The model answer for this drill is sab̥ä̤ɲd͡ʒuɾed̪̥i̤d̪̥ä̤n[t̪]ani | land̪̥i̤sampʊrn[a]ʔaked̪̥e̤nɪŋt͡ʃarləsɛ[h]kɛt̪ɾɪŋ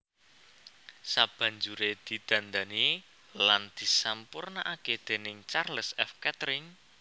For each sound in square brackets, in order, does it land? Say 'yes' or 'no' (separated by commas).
no, yes, no